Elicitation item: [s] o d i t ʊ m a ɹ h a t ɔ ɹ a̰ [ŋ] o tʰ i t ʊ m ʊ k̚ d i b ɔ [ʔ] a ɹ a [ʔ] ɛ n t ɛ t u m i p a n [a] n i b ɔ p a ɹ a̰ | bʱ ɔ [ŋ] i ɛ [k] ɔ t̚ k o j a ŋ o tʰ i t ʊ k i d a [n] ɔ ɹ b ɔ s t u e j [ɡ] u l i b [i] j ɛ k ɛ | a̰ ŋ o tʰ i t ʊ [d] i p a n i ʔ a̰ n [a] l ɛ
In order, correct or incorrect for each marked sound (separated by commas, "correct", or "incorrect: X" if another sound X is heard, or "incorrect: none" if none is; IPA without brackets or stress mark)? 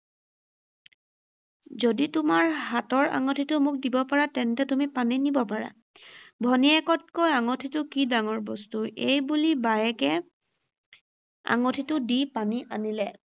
incorrect: z, correct, incorrect: p, incorrect: t, incorrect: i, incorrect: n, correct, incorrect: ŋ, incorrect: b, incorrect: a, correct, incorrect: i